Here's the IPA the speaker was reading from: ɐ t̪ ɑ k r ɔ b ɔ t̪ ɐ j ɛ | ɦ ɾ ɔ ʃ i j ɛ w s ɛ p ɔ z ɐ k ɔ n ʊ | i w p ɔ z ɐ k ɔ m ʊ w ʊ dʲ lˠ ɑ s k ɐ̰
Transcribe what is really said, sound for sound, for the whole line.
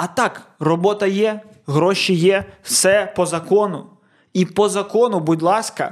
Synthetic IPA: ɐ t̪ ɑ k r ɔ b ɔ t̪ ɐ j ɛ | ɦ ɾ ɔ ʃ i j ɛ w s ɛ p ɔ z ɐ k ɔ n ʊ | i p ɔ z ɐ k ɔ n ʊ b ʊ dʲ lˠ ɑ s k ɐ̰